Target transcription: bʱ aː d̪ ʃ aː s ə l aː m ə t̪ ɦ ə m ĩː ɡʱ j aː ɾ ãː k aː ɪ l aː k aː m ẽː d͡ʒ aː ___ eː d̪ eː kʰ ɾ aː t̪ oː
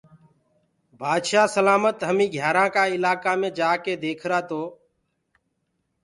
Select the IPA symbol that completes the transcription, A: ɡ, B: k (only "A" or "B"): B